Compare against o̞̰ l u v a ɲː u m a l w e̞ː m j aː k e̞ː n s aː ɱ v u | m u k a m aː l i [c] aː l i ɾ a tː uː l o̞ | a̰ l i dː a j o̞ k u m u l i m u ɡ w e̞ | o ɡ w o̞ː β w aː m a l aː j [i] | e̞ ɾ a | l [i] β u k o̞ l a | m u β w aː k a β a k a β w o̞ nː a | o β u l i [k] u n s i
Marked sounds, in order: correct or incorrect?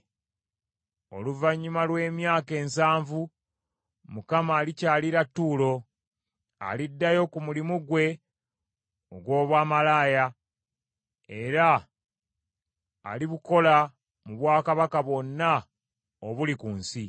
correct, incorrect: a, correct, correct

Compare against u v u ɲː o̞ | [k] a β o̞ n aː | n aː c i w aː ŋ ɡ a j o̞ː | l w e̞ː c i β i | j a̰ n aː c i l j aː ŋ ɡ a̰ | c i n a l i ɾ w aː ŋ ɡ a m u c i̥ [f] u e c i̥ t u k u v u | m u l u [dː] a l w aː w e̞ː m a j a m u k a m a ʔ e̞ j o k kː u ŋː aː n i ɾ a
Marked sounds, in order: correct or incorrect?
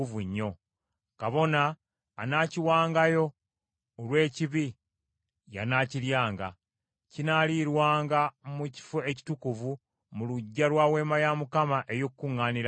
correct, correct, incorrect: ɟː

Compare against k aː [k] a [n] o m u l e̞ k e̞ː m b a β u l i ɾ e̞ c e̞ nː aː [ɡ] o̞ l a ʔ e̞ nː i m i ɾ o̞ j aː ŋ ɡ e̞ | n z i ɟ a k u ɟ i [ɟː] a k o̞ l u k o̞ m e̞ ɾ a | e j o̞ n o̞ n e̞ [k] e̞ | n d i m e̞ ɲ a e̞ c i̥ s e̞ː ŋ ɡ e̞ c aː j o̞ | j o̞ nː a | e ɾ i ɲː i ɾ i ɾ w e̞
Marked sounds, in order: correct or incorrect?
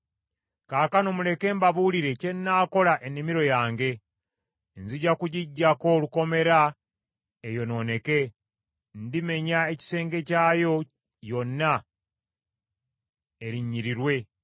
correct, correct, incorrect: k, correct, correct

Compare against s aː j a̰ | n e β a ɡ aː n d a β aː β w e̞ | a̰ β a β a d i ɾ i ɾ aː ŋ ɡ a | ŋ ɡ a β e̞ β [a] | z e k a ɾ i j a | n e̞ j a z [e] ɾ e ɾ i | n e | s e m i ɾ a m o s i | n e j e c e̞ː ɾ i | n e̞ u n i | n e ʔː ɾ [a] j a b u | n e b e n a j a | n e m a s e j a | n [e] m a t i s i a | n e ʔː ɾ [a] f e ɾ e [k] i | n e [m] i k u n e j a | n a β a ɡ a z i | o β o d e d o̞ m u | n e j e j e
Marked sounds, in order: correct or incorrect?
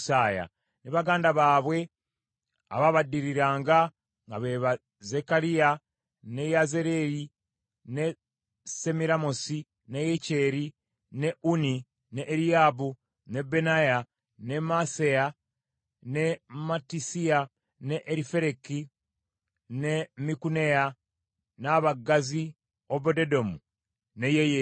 correct, correct, incorrect: i, correct, incorrect: i, correct, correct

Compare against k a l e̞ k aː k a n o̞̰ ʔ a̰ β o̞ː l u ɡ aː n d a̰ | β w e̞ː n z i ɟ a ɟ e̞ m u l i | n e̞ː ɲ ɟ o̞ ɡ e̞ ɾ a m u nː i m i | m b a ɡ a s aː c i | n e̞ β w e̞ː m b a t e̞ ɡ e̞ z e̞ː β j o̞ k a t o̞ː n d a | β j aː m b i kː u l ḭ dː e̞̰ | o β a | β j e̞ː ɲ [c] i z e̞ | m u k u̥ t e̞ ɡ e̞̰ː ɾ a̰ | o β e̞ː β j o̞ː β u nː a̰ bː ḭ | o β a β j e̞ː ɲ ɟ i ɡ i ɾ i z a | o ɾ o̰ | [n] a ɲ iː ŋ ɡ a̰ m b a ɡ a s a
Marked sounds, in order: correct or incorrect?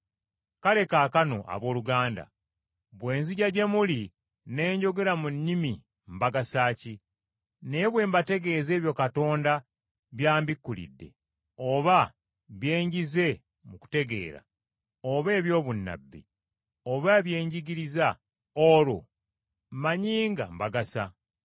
incorrect: ɟ, incorrect: m

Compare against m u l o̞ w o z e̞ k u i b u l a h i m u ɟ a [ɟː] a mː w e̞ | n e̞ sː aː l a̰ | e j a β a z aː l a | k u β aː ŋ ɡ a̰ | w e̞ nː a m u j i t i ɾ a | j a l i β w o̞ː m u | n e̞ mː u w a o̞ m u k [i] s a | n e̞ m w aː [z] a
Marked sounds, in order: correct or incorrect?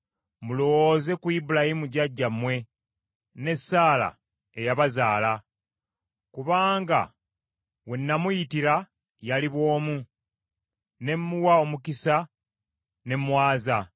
correct, correct, correct

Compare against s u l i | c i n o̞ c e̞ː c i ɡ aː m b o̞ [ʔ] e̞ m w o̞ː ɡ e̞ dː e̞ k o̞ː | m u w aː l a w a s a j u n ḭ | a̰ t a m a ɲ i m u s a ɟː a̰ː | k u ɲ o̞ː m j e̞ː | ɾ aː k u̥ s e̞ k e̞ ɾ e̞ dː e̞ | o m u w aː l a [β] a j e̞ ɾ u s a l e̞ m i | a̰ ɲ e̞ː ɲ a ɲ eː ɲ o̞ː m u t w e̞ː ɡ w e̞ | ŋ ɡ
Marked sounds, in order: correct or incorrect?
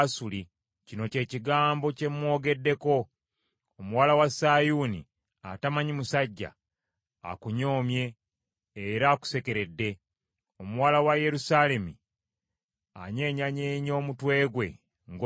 incorrect: c, incorrect: w

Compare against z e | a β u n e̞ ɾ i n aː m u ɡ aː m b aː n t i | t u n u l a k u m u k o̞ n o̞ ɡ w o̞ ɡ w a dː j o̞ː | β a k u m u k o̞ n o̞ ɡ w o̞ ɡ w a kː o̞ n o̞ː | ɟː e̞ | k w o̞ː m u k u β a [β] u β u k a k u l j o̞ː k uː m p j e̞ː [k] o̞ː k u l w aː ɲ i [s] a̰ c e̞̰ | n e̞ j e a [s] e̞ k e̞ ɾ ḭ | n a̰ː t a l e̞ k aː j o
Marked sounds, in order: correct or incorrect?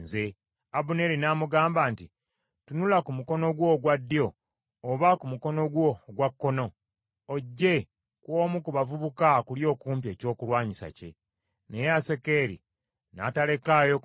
incorrect: v, incorrect: c, correct, correct

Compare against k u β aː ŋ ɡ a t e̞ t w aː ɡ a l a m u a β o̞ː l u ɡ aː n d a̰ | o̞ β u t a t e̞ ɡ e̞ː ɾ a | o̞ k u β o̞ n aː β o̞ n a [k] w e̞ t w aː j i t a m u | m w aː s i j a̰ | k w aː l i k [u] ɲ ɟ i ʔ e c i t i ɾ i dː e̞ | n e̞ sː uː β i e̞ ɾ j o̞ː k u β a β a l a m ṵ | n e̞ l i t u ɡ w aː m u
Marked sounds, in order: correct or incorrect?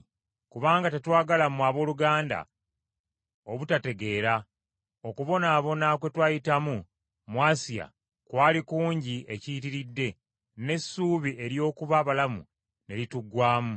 correct, incorrect: uː

